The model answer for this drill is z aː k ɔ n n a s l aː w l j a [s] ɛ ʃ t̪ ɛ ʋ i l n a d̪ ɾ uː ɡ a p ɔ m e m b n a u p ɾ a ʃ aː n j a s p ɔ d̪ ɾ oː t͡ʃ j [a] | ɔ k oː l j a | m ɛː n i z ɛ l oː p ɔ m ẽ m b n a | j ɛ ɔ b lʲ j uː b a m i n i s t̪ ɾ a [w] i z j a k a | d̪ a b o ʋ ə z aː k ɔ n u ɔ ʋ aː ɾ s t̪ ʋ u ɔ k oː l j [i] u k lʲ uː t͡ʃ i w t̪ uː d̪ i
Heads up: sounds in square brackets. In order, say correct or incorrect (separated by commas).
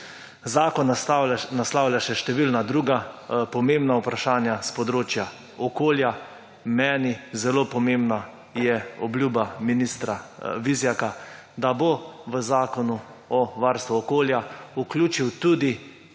incorrect, correct, incorrect, incorrect